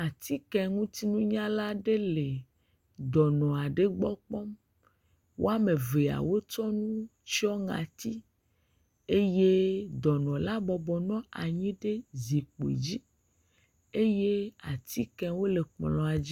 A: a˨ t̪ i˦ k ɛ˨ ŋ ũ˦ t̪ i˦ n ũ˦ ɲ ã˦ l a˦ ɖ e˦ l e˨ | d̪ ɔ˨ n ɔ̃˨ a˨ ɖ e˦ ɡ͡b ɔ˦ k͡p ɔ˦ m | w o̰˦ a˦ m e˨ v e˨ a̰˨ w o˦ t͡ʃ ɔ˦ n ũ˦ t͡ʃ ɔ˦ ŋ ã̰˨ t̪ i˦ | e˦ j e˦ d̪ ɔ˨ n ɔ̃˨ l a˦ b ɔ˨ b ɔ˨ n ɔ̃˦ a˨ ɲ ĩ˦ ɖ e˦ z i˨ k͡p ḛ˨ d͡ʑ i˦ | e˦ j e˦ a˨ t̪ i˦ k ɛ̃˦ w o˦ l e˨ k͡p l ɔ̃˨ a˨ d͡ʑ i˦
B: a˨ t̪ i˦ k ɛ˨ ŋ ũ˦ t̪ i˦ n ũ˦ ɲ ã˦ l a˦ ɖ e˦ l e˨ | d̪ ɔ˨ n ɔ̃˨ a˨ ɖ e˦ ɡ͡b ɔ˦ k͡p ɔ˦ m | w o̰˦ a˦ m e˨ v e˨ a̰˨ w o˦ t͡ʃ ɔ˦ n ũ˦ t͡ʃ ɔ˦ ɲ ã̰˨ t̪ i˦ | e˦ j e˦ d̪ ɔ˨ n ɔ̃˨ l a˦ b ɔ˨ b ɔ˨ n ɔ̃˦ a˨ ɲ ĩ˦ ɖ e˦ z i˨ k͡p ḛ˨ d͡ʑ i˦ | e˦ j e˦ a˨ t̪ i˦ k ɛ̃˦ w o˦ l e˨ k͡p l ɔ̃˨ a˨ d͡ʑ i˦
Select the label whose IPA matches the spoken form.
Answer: A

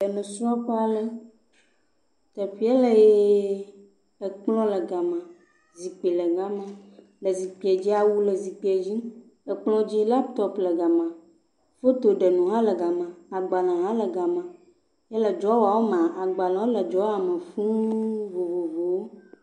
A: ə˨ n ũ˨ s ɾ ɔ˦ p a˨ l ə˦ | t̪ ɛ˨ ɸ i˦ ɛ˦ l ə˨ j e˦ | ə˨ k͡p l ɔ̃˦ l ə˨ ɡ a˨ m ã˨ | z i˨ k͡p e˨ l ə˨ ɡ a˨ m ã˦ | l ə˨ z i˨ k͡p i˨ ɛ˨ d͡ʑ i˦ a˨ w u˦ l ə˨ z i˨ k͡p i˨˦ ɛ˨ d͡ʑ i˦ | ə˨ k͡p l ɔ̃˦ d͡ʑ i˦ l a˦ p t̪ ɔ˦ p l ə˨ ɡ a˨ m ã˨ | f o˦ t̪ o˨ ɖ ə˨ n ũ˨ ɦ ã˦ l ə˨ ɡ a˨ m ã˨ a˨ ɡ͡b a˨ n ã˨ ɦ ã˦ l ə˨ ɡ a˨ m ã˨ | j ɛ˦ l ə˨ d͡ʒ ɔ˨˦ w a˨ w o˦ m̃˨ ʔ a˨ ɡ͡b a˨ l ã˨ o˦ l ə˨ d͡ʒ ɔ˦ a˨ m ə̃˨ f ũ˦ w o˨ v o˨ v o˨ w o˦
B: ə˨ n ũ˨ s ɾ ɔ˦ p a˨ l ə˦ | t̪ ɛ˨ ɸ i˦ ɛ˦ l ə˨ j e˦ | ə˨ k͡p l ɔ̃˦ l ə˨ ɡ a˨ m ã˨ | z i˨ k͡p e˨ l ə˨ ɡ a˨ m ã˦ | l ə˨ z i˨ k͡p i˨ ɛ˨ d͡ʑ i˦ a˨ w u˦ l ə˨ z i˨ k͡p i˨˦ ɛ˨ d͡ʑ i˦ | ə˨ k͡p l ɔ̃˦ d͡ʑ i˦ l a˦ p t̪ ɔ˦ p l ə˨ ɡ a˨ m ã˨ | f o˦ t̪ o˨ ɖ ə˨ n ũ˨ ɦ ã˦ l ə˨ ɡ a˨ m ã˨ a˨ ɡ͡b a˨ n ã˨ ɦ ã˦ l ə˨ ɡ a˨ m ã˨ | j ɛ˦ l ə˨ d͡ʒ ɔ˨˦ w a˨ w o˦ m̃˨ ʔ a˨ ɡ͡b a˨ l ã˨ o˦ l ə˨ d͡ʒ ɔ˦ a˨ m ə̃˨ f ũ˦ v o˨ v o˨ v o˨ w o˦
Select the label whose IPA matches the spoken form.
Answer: B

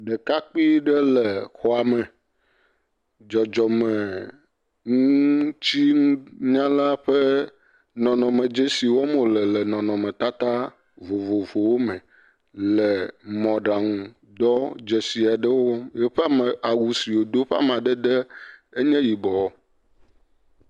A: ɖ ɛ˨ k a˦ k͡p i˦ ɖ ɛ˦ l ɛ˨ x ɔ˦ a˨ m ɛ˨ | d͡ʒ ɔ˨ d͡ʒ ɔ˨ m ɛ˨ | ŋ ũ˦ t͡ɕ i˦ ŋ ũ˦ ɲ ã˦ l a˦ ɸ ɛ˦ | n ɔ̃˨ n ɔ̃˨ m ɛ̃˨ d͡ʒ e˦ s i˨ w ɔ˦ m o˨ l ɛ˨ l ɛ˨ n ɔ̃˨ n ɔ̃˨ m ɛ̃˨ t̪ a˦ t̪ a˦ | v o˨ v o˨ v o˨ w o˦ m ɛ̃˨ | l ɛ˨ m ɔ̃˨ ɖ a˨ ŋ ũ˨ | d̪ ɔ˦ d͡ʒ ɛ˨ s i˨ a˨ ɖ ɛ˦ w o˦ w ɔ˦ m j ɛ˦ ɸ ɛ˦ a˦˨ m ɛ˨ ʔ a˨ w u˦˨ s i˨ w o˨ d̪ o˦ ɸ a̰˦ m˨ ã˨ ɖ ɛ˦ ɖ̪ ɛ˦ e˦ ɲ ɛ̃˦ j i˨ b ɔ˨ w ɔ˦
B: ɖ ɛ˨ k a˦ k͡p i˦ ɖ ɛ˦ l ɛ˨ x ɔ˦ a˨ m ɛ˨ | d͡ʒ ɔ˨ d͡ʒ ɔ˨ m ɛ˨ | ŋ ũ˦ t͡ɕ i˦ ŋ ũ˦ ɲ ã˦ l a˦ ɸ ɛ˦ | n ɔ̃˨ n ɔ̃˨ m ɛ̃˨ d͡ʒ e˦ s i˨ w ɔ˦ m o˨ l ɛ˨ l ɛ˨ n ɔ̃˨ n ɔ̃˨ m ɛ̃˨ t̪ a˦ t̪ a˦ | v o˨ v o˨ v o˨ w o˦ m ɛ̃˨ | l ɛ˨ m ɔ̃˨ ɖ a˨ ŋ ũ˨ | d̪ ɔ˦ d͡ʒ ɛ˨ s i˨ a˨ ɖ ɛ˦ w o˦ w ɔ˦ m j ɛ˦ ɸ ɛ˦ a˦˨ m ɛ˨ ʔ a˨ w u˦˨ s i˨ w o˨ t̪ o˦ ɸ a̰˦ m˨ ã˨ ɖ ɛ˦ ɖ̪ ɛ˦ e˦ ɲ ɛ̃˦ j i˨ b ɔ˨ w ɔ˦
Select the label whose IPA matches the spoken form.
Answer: A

